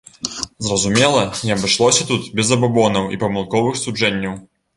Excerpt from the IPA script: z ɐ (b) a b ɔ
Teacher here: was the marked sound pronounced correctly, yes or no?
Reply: yes